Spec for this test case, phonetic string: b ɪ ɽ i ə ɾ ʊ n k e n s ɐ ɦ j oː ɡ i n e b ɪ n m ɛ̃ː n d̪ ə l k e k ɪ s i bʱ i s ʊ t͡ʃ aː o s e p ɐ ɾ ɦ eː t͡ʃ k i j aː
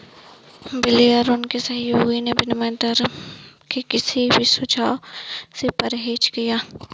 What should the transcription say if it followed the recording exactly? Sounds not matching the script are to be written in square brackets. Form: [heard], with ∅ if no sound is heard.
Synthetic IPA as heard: b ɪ [l] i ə ɾ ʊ n k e [∅] s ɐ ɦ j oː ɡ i n e b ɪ n m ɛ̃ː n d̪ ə [ɾ] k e k ɪ s i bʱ i s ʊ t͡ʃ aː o s e p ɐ ɾ ɦ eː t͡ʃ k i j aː